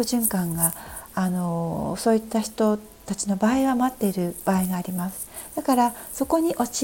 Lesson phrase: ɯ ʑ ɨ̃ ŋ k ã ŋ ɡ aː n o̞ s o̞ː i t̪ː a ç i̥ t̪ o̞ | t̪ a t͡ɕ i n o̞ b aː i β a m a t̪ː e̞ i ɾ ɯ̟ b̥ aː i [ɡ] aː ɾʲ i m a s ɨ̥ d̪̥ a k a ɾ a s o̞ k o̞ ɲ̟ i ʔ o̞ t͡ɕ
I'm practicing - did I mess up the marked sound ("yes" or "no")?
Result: no